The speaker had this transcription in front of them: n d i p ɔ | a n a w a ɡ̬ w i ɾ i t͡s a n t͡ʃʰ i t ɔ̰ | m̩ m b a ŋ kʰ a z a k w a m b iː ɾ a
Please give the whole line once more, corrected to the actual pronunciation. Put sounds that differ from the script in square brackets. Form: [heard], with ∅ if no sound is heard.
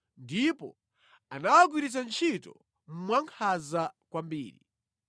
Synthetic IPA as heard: n d i p ɔ | a n a w a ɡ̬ w i ɾ i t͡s a n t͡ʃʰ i t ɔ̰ | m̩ m [w] a ŋ kʰ a z a k w a m b iː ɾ [i]